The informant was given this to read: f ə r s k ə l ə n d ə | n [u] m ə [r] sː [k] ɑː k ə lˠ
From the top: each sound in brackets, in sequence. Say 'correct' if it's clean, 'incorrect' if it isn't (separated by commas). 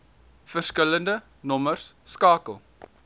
incorrect, correct, correct